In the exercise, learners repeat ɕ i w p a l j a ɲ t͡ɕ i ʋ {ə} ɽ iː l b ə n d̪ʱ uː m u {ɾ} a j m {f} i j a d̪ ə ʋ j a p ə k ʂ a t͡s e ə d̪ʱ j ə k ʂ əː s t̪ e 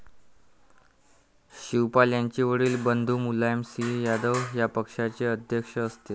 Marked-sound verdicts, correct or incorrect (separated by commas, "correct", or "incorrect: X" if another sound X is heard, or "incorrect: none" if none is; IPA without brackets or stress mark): correct, incorrect: l, incorrect: s